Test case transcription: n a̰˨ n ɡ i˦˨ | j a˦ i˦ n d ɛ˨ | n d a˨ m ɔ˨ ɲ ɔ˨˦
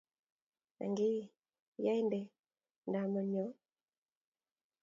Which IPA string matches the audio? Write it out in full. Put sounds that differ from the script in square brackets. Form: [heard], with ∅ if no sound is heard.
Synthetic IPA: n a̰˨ [ŋ] ɡ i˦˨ | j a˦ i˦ n d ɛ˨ | n d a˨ m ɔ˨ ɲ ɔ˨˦